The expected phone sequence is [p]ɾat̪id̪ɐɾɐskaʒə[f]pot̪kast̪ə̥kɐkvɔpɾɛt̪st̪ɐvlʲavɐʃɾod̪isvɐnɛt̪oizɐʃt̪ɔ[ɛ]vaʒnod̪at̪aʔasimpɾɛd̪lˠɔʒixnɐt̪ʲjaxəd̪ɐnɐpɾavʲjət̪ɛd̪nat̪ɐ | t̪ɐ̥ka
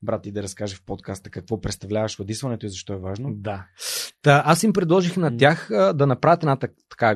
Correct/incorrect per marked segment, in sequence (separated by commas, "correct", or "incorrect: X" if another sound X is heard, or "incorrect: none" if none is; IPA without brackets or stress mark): incorrect: b, correct, correct